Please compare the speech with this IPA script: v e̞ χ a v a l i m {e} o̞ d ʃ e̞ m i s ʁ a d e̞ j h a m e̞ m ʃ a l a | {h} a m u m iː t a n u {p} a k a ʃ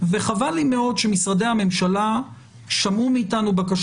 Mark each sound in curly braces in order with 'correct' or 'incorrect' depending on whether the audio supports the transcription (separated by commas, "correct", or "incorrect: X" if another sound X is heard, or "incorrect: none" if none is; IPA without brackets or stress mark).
correct, incorrect: ʃ, incorrect: b